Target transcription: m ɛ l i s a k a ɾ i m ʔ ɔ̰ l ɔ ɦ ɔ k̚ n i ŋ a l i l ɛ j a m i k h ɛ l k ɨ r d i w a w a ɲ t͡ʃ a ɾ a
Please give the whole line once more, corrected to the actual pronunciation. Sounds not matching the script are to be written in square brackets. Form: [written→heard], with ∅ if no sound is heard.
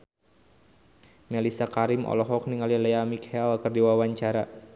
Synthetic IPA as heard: m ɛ l i s a k a ɾ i m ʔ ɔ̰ l ɔ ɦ ɔ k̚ n i ŋ a l i l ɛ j a m i k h ɛ l k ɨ r d i w a w a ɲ t͡ʃ a ɾ a